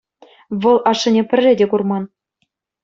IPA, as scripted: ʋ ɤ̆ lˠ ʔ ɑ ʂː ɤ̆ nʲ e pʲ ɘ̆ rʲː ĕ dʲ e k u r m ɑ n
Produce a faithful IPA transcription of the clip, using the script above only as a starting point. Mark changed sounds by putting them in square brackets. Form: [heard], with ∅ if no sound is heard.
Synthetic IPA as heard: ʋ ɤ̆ lˠ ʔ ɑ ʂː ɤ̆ nʲ e pʲ ɘ̆ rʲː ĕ dʲ e k u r m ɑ n